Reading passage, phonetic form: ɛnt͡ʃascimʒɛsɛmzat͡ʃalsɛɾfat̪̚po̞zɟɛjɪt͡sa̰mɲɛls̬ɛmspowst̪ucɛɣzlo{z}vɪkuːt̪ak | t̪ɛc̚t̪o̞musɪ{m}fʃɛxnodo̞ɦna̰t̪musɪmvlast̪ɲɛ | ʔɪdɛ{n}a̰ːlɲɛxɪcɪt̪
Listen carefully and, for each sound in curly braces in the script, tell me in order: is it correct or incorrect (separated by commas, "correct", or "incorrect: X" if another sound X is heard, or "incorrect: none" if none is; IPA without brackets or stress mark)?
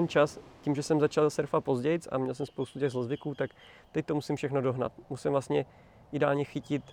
correct, correct, incorrect: none